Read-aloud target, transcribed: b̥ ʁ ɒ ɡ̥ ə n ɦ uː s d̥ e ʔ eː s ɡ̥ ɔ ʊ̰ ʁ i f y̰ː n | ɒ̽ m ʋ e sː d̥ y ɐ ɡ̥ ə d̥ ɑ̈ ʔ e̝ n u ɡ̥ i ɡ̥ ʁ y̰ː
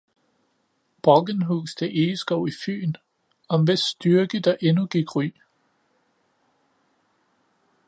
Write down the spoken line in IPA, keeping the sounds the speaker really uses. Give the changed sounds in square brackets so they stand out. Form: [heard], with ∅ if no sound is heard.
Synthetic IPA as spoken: b̥ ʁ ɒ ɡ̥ ə n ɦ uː s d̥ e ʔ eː s ɡ̥ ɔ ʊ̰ [∅] i f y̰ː n | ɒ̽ m ʋ e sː d̥ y ɐ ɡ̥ ə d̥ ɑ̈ ʔ e̝ n u ɡ̥ i ɡ̥ ʁ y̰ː